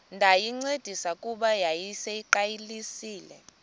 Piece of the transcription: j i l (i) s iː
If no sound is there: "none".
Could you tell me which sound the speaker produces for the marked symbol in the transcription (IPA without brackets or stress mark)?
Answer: i